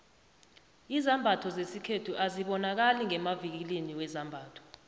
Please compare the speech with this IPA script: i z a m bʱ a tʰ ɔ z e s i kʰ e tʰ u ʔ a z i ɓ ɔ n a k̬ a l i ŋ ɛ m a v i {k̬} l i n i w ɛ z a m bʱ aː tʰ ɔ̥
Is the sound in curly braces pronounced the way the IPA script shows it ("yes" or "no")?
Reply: yes